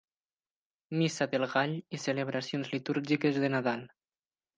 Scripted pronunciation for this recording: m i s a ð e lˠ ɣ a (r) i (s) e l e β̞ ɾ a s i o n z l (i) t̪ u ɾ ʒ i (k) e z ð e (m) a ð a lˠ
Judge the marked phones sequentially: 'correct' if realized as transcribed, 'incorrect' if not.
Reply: incorrect: ʎ, correct, correct, correct, incorrect: n

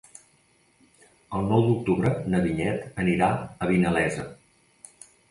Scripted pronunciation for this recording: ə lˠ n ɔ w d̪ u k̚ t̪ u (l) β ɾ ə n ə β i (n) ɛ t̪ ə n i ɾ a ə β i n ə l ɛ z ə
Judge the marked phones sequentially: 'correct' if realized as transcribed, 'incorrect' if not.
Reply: incorrect: none, incorrect: ɲ

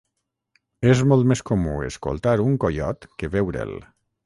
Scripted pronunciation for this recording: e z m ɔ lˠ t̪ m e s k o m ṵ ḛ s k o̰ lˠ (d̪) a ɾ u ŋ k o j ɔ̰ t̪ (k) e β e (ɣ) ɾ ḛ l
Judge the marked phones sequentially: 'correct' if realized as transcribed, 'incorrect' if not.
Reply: incorrect: t̪, correct, incorrect: w

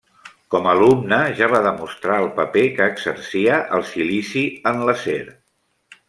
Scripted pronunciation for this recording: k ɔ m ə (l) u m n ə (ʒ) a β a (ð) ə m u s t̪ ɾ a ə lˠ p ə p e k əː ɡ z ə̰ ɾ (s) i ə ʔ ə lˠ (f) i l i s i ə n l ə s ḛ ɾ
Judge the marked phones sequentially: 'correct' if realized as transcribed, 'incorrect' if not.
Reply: correct, correct, correct, correct, incorrect: s

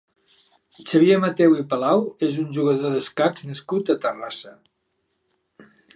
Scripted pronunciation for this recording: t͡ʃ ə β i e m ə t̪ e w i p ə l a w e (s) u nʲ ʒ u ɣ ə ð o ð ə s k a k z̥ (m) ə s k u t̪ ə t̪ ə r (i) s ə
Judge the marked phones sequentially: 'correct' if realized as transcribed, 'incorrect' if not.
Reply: incorrect: z, incorrect: n, incorrect: a

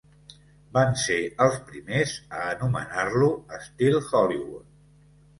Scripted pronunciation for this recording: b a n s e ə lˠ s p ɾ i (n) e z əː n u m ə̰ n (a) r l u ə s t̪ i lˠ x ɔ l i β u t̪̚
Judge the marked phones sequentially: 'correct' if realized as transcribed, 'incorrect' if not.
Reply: incorrect: m, correct

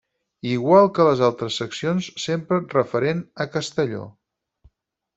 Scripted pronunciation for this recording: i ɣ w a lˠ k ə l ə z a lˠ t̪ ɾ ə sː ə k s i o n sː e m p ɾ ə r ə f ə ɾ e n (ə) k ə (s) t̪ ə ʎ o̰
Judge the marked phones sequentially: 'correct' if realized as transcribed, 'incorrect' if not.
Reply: correct, correct

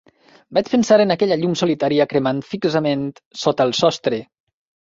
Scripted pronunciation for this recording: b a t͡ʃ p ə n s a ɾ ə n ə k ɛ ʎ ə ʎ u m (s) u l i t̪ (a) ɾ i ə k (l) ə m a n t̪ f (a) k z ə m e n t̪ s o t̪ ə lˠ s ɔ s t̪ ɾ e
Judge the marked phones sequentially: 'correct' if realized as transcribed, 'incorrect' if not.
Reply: correct, correct, incorrect: ɾ, incorrect: i

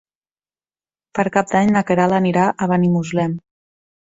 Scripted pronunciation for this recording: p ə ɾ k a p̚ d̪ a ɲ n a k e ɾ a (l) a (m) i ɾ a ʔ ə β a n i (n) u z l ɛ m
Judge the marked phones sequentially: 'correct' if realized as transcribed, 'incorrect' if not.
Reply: correct, incorrect: n, incorrect: m

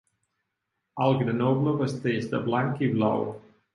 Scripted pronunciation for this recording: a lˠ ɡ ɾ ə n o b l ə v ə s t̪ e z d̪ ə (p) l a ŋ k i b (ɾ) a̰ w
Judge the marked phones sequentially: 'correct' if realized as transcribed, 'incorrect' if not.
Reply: incorrect: b, incorrect: l

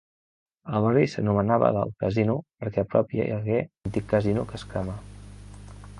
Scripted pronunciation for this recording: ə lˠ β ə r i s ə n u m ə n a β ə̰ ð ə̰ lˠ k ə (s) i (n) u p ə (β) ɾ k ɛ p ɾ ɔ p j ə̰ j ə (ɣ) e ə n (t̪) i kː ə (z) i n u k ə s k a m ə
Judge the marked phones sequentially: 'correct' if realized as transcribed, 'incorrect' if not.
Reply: incorrect: z, correct, incorrect: none, correct, correct, correct

